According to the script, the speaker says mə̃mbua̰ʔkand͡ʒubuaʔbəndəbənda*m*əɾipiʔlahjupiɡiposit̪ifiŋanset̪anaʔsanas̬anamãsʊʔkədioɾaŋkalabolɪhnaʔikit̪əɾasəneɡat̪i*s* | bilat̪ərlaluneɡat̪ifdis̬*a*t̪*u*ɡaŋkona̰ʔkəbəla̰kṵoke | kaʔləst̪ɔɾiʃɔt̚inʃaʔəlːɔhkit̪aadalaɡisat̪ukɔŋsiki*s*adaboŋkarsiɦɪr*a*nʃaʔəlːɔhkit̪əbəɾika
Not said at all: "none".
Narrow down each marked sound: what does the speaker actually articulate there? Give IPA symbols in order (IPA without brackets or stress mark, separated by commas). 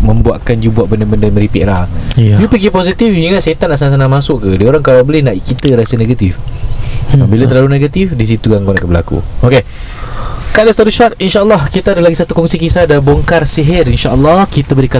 m, f, i, u, s, i